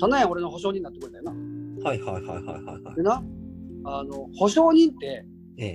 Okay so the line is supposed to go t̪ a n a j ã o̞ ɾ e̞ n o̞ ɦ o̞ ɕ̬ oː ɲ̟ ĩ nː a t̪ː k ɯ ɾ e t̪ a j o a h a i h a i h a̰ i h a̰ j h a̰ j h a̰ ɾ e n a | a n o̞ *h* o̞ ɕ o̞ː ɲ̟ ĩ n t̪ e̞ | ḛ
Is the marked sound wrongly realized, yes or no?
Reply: no